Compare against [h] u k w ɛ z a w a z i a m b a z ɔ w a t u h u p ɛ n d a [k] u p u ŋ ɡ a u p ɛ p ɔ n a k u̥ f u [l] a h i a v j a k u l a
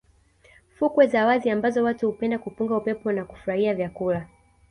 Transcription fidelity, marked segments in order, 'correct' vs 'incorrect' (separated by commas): incorrect, correct, incorrect